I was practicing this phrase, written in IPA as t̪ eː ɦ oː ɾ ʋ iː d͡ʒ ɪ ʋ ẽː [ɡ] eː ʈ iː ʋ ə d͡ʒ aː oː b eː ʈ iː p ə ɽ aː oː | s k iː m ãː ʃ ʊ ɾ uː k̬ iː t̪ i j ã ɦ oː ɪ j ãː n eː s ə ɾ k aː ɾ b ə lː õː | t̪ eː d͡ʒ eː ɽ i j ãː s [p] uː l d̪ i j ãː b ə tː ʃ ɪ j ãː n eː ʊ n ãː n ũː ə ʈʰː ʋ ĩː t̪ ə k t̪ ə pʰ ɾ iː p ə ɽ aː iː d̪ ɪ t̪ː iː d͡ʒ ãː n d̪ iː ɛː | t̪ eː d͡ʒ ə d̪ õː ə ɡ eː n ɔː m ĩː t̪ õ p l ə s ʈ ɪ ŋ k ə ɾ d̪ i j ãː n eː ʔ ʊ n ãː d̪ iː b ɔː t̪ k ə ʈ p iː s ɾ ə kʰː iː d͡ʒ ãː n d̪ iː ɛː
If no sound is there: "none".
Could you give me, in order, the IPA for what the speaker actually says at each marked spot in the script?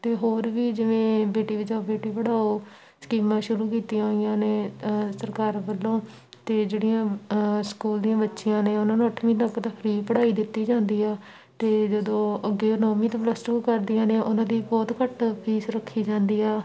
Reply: b, k

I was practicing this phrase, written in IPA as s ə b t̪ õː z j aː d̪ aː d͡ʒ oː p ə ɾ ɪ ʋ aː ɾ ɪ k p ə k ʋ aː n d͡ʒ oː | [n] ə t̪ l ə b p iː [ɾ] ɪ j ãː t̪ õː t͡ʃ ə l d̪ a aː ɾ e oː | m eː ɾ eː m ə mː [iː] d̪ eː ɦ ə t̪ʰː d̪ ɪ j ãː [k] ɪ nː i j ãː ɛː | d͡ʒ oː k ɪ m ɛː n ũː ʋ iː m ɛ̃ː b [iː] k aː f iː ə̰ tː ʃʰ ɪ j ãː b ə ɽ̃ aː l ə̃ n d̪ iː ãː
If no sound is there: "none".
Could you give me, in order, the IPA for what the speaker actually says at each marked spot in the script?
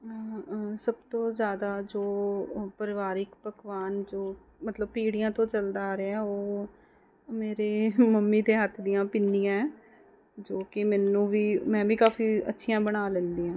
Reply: m, ɽ, iː, p, iː

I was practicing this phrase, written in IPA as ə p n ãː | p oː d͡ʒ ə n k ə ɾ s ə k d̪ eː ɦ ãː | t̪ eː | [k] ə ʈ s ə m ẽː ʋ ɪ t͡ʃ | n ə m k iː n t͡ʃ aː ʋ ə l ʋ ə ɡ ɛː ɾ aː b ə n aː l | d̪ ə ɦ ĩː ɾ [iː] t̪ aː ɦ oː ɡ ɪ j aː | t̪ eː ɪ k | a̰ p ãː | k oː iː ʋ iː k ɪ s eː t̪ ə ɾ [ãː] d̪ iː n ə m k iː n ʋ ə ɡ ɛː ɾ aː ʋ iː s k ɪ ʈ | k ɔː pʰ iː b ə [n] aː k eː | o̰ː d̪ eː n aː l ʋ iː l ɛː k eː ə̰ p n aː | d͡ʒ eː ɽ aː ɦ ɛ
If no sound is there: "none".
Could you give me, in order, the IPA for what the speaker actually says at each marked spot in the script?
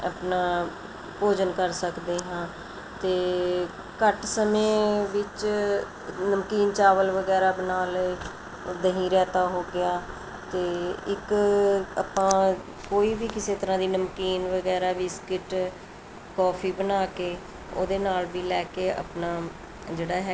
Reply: k, ɛː, ãː, n

